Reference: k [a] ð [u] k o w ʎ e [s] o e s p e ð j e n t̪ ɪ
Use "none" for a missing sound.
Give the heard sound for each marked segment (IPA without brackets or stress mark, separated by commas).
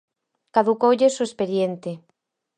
a, u, s